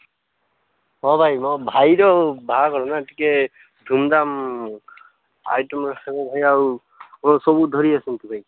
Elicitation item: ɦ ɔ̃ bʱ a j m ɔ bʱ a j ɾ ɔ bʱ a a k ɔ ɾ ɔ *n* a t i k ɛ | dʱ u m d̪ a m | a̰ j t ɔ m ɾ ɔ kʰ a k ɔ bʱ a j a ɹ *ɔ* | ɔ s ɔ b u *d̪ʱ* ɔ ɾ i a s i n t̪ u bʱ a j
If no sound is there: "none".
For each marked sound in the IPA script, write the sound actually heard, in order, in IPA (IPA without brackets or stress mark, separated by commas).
n, u, d̪ʱ